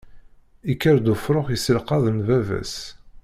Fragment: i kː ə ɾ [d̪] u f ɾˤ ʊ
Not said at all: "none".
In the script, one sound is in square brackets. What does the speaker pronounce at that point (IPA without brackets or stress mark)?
d̪